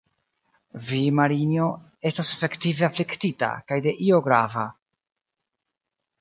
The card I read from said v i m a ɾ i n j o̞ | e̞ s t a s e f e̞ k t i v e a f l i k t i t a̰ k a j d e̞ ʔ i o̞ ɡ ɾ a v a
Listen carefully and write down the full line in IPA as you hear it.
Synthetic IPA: v i m a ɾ i n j o̞ | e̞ s t a s e f e̞ k t i v e a f l i k t i t a̰ k a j d e̞ ʔ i o̞ ɡ ɾ a v a